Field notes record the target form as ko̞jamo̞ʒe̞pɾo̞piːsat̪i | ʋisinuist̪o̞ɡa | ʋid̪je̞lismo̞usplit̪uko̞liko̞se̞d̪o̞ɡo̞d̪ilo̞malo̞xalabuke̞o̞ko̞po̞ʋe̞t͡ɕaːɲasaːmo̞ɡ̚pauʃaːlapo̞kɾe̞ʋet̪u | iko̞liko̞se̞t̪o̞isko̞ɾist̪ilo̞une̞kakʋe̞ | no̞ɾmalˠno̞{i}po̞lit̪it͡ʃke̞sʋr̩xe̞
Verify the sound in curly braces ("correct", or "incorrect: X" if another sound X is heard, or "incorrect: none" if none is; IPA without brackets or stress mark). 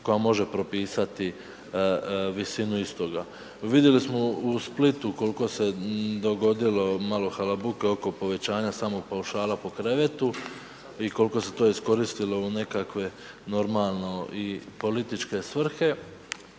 correct